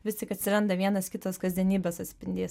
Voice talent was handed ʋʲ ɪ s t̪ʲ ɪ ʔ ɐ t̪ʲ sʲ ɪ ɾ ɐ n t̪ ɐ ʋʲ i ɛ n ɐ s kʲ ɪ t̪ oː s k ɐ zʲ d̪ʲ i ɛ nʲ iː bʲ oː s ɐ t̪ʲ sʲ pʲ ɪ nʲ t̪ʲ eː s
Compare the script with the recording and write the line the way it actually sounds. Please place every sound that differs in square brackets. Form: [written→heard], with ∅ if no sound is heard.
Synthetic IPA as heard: ʋʲ ɪ s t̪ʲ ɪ [ʔ→k] ɐ t̪ʲ sʲ ɪ ɾ ɐ n [t̪→d̪] ɐ ʋʲ i ɛ n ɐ s kʲ ɪ t̪ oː s k ɐ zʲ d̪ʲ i ɛ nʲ iː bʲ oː s ɐ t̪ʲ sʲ pʲ ɪ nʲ [t̪ʲ→d̪ʲ] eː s